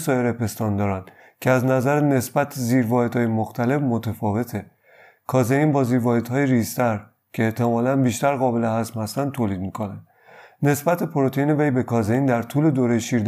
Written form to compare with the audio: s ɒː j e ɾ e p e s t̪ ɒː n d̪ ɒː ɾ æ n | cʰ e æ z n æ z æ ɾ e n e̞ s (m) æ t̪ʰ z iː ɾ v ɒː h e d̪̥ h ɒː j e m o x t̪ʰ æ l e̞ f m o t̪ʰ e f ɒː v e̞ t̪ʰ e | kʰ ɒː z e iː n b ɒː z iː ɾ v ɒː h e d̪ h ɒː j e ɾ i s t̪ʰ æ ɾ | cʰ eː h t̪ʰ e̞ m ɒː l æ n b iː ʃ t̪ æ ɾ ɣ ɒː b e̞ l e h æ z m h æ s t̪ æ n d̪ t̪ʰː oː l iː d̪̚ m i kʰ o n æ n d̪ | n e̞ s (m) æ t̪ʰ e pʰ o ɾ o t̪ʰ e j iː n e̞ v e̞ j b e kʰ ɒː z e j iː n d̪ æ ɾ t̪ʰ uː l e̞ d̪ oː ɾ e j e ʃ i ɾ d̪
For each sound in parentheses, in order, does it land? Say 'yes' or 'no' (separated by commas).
no, no